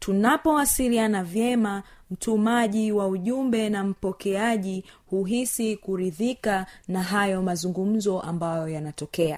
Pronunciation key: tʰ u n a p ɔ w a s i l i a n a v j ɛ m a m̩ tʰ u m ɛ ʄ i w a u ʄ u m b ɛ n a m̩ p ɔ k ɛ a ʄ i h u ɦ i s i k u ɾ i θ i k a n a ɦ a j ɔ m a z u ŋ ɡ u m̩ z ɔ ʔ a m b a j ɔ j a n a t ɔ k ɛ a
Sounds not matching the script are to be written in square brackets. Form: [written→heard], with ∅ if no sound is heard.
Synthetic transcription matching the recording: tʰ u n a p ɔ w a s i l i a n a v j ɛ m a m̩ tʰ u m [ɛ→a] ʄ i w a u ʄ u m b ɛ n a m̩ p ɔ k ɛ a ʄ i h u ɦ i s i k u ɾ i [θ→ð] i k a n a ɦ a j ɔ m a z u ŋ ɡ u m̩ z ɔ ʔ a m b a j ɔ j a n a t ɔ k ɛ a